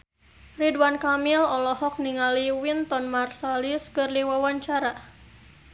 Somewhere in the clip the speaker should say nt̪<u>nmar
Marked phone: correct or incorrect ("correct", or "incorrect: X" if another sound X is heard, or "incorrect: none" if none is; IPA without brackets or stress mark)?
incorrect: ɔ